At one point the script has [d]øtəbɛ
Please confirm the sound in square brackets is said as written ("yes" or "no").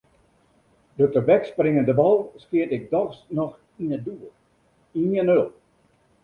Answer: yes